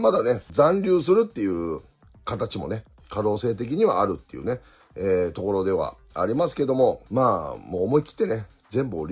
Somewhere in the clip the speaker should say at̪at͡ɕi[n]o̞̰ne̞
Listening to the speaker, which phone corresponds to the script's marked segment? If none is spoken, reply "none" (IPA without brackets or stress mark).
m